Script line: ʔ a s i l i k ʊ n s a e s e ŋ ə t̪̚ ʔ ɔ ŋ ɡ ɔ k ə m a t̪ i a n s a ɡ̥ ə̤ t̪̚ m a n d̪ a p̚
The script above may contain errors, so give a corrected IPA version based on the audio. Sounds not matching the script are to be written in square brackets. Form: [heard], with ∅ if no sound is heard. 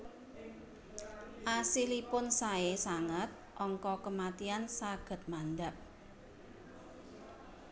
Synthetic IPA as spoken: ʔ a s i l i [p] ʊ n s a e s [a] ŋ ə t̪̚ ʔ ɔ ŋ [k] ɔ k ə m a t̪ i a n s a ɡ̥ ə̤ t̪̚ m a n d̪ a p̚